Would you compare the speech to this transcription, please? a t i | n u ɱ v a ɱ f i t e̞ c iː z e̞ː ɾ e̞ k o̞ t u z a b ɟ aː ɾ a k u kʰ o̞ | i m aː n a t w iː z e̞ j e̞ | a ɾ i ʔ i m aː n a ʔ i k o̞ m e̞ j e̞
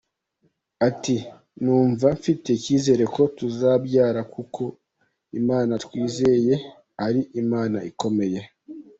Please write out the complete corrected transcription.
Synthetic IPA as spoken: a t i | n uː ɱ v a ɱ f i t e̞ c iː z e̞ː ɾ e̞ k o̞ t u z a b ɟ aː ɾ a k u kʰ o̞ | i m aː n a t w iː z e̞ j e̞ | a ɾ i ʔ i m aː n a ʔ i k o̞ m e̞ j e̞